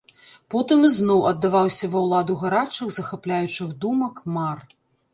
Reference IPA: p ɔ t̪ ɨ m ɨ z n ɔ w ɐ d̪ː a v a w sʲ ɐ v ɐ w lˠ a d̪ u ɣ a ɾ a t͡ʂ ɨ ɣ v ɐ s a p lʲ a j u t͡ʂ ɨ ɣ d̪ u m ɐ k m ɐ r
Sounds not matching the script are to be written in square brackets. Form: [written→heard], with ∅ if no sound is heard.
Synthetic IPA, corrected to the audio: p ɔ t̪ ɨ m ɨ z n ɔ w ɐ d̪ː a v a w sʲ ɐ v ɐ w lˠ a d̪ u ɣ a ɾ a t͡ʂ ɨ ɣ [v→z] ɐ [s→x] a p lʲ a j u t͡ʂ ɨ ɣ d̪ u m ɐ k m [ɐ→a] r